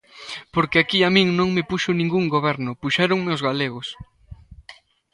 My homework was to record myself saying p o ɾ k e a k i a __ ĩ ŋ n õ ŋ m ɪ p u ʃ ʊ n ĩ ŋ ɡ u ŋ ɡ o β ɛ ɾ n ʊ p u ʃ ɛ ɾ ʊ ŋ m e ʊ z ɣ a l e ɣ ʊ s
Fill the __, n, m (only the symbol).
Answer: m